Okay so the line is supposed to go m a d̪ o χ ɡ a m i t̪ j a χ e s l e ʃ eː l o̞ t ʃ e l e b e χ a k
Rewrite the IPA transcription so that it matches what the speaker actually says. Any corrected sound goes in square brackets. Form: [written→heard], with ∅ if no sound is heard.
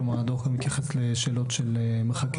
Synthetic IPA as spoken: m a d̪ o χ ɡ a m i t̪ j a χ e s l e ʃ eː l o̞ t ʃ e l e [b→m] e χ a k